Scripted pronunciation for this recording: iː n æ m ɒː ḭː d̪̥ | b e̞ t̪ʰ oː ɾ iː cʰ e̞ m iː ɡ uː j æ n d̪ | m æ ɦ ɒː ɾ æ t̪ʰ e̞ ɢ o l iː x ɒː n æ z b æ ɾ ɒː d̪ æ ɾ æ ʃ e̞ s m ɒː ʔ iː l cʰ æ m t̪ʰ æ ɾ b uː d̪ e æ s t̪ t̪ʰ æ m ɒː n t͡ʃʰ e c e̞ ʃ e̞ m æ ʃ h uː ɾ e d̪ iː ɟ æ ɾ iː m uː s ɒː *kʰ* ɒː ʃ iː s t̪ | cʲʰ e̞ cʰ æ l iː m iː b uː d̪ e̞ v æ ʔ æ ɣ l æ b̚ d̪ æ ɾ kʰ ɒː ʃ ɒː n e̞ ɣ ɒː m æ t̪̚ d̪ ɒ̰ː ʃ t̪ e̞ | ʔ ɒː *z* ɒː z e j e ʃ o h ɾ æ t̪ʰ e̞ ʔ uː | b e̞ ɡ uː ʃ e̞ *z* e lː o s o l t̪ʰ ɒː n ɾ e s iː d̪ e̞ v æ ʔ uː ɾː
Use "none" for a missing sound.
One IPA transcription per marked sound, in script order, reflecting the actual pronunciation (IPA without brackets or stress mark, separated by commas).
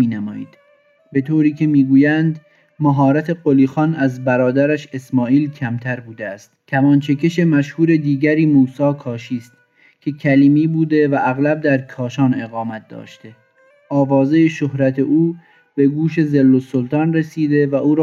kʰ, v, z